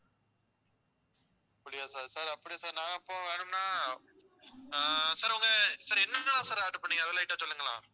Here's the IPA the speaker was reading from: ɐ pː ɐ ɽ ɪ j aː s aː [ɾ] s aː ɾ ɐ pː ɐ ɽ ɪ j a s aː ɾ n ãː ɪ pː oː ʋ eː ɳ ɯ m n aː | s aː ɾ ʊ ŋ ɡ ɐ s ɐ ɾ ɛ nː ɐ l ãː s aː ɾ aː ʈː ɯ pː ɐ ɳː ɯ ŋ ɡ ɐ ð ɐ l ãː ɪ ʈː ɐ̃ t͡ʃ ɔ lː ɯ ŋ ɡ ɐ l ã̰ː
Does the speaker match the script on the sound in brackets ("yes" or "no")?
yes